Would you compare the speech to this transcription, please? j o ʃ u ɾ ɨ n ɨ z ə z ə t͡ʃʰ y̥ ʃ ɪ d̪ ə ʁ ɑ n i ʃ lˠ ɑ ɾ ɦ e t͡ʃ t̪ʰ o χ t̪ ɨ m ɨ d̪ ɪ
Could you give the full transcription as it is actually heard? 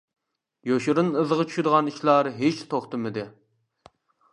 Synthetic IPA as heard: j o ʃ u ɾ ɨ n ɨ z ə ʁ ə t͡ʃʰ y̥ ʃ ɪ d̪ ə ʁ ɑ n i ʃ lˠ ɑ ɾ ɦ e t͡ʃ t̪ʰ o χ t̪ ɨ m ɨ d̪ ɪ